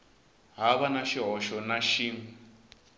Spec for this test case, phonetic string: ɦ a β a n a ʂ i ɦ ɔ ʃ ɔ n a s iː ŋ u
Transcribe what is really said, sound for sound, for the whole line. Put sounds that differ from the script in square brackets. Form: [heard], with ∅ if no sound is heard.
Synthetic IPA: ɦ a β a n a [ʃ] i ɦ ɔ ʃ ɔ n a [ʃ] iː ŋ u